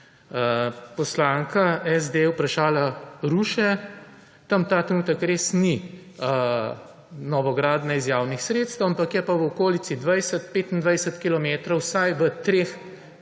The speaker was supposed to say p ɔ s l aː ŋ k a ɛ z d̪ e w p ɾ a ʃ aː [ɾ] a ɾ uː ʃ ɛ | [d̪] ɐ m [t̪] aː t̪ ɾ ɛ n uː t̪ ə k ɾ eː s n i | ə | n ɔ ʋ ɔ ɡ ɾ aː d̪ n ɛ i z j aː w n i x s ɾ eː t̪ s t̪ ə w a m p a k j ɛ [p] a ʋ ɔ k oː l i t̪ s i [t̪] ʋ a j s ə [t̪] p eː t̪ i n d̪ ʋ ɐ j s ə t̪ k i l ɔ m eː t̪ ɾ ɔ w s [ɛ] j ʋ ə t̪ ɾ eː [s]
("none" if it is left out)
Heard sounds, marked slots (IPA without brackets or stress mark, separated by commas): l, t̪, t̪, p, d̪, t̪, a, x